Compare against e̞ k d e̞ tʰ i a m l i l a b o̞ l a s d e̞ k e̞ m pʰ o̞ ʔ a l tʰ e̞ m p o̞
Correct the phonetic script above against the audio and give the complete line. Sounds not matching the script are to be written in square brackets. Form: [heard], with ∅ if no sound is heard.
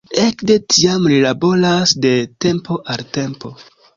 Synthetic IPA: e̞ k d e̞ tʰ i a m l i l a b o̞ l a s d e̞ [t] e̞ m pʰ o̞ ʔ a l [t] e̞ m p o̞